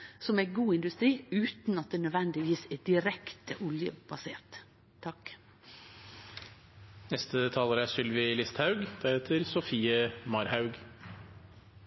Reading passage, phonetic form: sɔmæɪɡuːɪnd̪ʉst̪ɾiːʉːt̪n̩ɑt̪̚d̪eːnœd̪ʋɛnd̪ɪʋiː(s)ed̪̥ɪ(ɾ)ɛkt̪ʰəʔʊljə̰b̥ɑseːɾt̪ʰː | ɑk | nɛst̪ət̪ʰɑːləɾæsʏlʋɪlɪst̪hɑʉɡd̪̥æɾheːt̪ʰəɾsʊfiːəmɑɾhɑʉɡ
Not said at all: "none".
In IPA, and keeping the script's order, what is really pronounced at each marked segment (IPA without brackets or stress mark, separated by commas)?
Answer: s, ɾ